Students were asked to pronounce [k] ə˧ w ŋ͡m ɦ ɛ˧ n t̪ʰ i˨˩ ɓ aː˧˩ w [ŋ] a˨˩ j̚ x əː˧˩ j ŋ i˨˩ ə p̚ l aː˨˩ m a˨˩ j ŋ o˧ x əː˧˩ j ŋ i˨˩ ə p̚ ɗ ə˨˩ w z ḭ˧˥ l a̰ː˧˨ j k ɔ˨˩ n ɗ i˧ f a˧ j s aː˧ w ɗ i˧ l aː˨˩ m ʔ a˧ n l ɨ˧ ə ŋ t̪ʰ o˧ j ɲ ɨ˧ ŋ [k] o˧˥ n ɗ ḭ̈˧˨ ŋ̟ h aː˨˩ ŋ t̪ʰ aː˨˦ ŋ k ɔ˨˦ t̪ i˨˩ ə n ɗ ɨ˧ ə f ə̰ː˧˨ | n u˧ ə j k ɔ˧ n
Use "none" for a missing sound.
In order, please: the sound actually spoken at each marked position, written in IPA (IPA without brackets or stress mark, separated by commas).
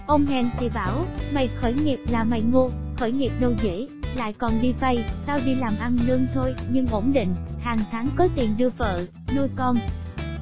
ʔ, m, ʔ